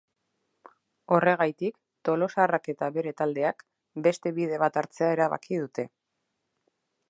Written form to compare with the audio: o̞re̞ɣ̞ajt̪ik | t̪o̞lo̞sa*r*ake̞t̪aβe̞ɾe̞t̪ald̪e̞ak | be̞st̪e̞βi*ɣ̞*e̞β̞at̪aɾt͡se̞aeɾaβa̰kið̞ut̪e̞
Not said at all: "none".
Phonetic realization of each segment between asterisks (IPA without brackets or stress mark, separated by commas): r, ð̞